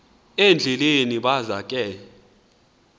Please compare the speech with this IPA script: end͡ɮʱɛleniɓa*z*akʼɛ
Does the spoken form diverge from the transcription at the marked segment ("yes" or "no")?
no